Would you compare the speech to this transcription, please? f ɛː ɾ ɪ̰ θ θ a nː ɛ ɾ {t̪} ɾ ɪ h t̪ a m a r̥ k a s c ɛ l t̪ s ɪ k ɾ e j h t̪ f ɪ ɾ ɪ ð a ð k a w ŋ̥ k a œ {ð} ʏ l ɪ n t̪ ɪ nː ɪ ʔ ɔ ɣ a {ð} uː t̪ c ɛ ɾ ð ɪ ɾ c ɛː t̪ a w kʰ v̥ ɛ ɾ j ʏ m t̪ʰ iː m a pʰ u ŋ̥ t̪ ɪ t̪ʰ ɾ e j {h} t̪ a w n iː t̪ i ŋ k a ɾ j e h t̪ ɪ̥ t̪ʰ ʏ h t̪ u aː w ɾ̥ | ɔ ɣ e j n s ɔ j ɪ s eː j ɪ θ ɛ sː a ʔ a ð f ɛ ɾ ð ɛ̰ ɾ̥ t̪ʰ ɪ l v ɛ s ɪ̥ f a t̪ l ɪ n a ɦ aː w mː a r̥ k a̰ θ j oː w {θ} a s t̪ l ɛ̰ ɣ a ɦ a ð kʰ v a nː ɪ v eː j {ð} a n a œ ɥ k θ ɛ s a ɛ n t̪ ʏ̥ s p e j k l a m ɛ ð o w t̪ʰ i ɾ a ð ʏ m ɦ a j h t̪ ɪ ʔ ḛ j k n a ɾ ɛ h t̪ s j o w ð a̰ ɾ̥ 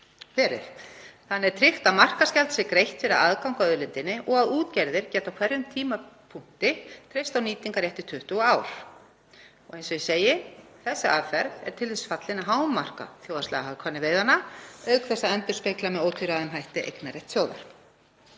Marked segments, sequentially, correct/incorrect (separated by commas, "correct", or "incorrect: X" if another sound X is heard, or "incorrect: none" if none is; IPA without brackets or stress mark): incorrect: t̪ʰ, correct, correct, incorrect: s, incorrect: ð, correct